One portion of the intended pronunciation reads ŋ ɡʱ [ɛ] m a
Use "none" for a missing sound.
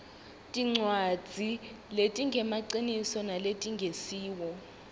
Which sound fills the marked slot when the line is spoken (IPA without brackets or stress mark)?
ɛ